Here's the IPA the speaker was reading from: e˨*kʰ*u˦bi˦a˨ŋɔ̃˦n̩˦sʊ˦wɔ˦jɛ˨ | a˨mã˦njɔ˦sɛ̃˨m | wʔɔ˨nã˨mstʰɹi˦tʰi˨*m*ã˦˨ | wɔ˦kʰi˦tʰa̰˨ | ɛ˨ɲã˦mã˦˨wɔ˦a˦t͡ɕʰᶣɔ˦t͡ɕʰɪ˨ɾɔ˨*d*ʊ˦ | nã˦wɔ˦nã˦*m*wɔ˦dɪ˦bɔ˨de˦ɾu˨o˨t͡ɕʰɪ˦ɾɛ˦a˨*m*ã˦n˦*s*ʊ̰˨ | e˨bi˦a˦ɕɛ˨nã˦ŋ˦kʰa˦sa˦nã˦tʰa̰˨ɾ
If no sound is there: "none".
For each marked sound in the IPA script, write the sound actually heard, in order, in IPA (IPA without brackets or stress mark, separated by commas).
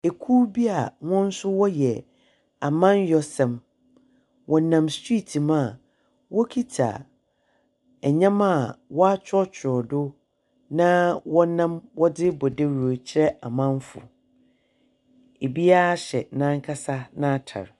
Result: kʰ, m, d, m, m, f